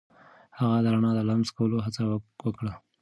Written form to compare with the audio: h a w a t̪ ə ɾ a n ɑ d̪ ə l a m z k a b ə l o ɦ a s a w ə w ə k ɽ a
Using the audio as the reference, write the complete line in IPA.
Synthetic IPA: h a ɣ a d̪ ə ɾ a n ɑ d̪ ə l a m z k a w ə l o ɦ a t͡s a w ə w ə k ɽ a